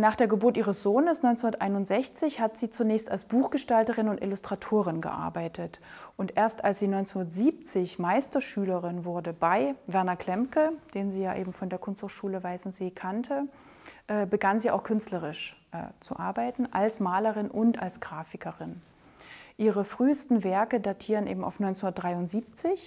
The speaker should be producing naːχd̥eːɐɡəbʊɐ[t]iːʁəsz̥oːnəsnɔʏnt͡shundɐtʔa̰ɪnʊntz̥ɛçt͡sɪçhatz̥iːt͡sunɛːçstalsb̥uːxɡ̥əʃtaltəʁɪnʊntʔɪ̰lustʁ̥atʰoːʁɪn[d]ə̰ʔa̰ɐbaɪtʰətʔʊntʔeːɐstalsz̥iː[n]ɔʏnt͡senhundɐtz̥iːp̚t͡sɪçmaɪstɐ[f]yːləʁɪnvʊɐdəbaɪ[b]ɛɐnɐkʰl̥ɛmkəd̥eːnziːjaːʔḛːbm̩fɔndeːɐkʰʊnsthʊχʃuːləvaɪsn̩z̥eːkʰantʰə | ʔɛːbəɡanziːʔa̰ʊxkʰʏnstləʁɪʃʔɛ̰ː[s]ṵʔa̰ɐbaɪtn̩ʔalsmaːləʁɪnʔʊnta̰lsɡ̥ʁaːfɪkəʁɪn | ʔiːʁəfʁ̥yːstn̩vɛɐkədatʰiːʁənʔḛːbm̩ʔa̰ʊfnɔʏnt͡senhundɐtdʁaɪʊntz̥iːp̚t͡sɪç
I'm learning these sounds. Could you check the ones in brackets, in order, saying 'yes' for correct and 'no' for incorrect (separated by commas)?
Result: yes, no, yes, no, no, no